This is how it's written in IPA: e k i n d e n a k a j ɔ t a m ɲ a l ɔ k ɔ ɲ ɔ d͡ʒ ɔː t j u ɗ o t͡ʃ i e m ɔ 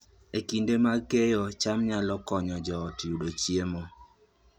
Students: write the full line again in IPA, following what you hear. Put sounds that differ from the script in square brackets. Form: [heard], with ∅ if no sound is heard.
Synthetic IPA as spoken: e k i n d e [m] a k [e] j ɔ [t͡ʃ] a m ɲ a l ɔ k ɔ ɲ ɔ d͡ʒ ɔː t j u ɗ o t͡ʃ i e m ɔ